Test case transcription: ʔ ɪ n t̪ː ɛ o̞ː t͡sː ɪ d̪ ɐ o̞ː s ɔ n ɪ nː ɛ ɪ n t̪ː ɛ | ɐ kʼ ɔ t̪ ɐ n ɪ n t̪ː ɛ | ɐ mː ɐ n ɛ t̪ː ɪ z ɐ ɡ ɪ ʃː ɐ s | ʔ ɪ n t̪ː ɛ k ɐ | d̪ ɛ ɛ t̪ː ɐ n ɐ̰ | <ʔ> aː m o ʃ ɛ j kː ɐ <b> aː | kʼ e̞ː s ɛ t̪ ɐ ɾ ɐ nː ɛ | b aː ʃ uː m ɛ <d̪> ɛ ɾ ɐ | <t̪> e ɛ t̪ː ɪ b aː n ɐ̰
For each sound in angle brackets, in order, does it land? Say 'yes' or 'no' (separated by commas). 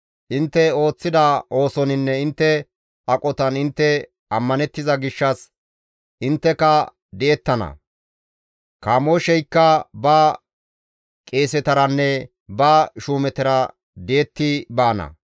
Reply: no, yes, no, no